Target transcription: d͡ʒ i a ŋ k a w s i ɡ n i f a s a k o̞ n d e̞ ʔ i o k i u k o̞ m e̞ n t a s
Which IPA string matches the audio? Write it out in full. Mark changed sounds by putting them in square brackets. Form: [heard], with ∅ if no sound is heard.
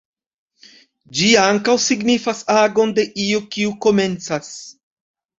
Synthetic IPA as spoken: d͡ʒ i a ŋ k a w s i ɡ n i f a s a [ɡ] o̞ n d e̞ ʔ i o k i u k o̞ m e̞ n [t͡s] a s